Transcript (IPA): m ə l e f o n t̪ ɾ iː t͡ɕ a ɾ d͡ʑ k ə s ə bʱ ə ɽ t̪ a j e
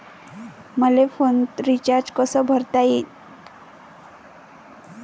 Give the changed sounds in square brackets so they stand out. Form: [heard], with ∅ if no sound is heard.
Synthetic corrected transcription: m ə l e f o n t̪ ɾ [i] t͡ɕ a ɾ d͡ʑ k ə s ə bʱ ə [ɾ] t̪ a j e